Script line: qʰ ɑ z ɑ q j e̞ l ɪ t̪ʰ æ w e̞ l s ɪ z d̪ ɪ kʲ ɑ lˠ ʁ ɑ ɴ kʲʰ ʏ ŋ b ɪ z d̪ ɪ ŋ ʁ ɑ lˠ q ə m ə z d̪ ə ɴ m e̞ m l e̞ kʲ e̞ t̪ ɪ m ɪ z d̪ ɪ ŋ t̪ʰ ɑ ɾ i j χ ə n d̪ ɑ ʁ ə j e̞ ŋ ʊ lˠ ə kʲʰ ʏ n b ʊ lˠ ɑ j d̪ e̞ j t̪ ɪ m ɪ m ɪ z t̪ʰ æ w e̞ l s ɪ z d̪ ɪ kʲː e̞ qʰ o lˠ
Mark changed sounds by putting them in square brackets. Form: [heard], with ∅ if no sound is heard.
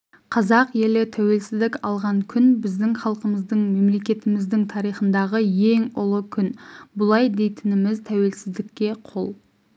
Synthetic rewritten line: qʰ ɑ z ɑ q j e̞ l ɪ t̪ʰ æ w e̞ l s ɪ z d̪ ɪ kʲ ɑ lˠ ʁ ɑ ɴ kʲʰ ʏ [n] b ɪ z d̪ ɪ ŋ [χ] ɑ lˠ q ə m ə z d̪ ə ɴ m e̞ m l e̞ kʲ e̞ t̪ ɪ m ɪ z d̪ ɪ ŋ t̪ʰ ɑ ɾ i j χ ə n d̪ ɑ ʁ ə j e̞ ŋ ʊ lˠ ə kʲʰ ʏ n b ʊ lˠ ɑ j d̪ e̞ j t̪ ɪ [n] ɪ m ɪ z t̪ʰ æ w e̞ l s ɪ z d̪ ɪ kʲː e̞ qʰ o lˠ